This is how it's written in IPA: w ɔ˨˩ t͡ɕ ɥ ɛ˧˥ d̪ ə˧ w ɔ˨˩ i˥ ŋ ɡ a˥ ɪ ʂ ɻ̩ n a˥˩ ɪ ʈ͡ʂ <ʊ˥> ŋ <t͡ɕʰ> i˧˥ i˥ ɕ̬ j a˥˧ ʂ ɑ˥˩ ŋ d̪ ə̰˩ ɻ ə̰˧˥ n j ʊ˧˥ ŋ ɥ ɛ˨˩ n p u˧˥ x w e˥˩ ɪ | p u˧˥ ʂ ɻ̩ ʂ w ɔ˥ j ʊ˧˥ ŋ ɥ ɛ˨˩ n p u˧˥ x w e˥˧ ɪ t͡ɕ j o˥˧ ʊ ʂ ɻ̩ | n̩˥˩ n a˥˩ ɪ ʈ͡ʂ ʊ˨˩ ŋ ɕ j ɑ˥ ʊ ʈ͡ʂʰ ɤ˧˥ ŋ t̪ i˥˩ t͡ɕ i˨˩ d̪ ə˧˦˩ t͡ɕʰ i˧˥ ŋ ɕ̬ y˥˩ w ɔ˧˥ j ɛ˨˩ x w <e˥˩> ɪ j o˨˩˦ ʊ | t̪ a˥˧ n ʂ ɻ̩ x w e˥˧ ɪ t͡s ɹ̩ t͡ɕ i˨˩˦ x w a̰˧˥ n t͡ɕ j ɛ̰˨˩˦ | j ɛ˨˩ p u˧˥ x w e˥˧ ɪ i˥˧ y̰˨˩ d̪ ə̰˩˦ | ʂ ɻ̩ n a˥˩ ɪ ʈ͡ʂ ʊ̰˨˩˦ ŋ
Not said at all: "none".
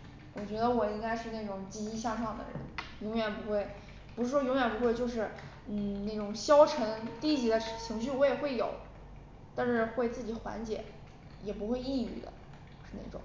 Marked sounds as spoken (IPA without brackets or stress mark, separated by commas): ʊ˨˩, t͡ɕ, e˥˩